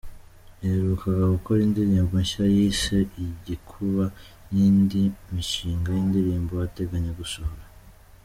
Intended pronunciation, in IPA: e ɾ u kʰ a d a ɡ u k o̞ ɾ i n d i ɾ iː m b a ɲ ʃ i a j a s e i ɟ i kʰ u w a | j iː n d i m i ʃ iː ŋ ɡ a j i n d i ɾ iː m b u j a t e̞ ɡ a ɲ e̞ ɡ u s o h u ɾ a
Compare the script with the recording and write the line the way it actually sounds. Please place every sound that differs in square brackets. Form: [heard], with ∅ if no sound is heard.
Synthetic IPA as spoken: e ɾ u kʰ a [ɡ] a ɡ u k o̞ ɾ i n d i ɾ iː m b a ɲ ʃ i a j [i] s e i ɟ i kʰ u [β] a | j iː n d i m i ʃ iː ŋ ɡ a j i n d i ɾ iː m b [o] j a t e̞ ɡ a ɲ e̞ ɡ u s o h [o] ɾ a